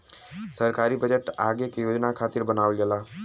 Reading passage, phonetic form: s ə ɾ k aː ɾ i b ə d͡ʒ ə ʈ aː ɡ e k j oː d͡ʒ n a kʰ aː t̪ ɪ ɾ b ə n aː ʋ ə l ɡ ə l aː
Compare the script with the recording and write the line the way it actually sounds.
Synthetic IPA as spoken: s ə ɾ k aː ɾ i b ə d͡ʒ ə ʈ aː ɡ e k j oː d͡ʒ n a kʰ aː t̪ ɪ ɾ b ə n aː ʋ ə l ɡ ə l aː